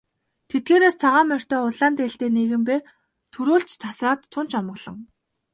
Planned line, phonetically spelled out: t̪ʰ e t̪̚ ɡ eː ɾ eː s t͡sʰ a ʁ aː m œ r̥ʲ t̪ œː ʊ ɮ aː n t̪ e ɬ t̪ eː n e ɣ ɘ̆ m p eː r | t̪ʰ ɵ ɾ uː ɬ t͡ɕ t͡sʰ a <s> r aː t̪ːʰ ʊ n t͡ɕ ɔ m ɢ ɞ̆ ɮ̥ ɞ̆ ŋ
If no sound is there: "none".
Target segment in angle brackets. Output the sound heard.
s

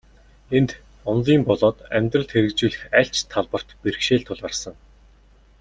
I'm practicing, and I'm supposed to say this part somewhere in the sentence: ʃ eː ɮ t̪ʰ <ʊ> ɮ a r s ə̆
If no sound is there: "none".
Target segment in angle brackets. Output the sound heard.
ʊ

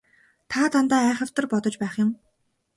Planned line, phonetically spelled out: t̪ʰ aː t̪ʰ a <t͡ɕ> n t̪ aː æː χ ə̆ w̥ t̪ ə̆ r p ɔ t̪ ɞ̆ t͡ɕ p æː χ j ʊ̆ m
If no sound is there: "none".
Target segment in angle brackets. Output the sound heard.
none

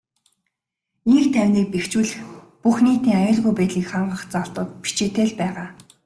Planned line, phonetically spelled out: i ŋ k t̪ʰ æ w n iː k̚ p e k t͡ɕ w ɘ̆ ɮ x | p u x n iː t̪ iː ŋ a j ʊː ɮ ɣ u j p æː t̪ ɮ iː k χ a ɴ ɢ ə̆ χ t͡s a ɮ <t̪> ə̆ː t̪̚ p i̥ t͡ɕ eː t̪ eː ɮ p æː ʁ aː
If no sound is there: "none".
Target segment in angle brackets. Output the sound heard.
t̪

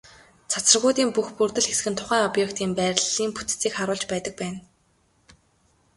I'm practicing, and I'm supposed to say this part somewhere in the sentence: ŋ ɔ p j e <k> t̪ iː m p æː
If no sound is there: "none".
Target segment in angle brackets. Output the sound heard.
k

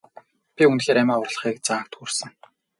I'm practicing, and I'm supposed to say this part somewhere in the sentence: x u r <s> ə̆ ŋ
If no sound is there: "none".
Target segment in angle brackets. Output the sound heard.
s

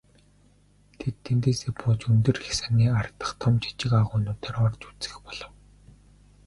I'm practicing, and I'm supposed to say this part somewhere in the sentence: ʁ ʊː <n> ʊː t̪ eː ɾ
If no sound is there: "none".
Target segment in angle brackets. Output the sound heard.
n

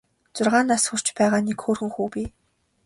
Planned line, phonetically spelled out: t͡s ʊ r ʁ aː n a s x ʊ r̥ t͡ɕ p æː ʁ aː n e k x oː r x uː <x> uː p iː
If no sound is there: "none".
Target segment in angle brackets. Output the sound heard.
x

